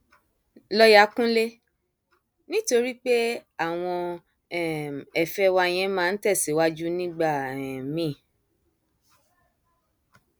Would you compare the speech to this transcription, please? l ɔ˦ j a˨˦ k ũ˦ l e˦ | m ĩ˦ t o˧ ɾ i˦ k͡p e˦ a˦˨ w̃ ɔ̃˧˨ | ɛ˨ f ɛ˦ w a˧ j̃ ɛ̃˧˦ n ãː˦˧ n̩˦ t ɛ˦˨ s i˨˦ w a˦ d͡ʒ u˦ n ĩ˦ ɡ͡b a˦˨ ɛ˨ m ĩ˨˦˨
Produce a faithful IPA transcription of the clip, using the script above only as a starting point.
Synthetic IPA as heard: l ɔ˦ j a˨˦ k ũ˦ l e˦ | n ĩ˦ t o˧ ɾ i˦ k͡p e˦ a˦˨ w̃ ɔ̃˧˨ | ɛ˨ f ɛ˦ w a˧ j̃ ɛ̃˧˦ m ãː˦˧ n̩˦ t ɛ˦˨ s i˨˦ w a˦ d͡ʒ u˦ n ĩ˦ ɡ͡b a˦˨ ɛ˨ m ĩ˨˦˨